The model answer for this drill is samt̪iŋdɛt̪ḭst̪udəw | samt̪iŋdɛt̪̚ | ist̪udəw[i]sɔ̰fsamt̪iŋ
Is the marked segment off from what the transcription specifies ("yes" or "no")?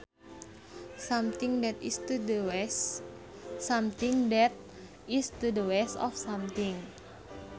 yes